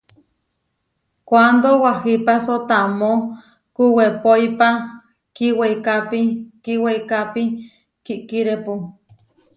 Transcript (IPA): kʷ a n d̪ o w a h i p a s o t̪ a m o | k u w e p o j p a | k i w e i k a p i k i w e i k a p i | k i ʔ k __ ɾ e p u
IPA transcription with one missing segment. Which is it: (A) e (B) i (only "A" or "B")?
B